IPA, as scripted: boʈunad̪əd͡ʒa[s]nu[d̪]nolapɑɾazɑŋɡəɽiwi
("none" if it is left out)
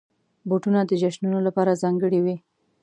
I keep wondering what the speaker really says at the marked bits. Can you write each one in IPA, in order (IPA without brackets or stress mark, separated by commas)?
ʃ, none